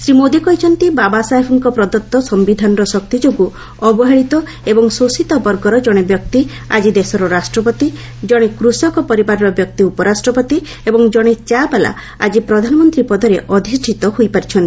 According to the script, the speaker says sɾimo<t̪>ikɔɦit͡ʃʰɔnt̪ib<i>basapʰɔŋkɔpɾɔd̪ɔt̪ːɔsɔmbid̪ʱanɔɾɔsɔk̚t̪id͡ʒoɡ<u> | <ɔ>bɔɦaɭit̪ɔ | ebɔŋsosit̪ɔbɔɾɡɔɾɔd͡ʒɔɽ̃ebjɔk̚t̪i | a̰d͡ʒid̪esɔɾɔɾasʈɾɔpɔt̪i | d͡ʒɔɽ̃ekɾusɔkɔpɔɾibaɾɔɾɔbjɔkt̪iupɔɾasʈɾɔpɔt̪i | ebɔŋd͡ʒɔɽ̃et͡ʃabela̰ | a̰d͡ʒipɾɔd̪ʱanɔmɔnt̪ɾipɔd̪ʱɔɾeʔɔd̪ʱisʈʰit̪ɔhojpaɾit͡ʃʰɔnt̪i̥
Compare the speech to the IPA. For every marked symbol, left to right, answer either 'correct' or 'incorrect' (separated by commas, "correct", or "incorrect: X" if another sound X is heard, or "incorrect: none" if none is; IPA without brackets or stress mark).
incorrect: d̪, incorrect: a, correct, correct